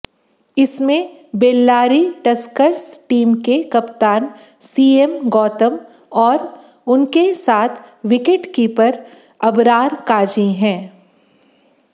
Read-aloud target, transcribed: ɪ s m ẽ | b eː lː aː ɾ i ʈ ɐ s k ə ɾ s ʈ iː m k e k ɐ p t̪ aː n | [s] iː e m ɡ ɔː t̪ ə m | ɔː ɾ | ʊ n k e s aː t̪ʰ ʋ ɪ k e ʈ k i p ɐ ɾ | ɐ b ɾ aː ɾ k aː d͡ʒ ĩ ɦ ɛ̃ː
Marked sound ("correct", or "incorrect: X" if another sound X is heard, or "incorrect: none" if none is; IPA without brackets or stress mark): correct